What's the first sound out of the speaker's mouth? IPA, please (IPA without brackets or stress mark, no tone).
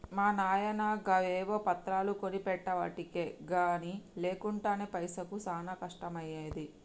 m